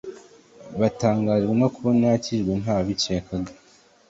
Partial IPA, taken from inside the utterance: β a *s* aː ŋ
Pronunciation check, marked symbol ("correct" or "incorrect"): incorrect